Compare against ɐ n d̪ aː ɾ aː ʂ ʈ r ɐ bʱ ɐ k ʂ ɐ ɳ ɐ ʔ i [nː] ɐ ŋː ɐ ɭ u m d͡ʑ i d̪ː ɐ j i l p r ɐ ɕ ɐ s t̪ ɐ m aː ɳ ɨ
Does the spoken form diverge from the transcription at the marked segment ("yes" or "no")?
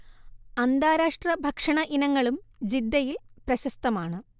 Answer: yes